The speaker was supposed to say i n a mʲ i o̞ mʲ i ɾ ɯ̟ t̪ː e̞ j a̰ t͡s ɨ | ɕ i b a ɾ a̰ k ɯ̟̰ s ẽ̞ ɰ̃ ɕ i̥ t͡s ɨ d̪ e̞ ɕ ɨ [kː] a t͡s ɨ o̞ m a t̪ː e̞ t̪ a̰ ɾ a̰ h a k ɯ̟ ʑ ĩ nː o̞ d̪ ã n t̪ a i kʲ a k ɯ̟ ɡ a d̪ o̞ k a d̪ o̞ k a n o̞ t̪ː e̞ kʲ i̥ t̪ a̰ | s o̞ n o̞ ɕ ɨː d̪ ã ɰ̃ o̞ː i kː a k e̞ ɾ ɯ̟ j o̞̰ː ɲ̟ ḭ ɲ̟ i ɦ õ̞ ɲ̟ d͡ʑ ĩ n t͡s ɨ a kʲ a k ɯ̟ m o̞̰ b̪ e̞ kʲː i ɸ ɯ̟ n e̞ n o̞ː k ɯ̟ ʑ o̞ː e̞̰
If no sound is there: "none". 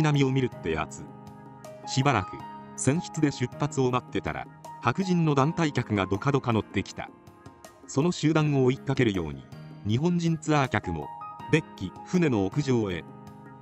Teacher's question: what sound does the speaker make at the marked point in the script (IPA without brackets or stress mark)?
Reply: pː